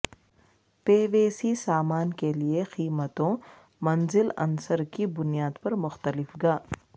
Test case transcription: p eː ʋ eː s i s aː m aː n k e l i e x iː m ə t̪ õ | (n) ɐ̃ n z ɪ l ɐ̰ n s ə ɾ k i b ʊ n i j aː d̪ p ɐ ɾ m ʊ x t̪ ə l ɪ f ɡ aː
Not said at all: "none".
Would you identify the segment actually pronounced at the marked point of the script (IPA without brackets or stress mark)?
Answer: m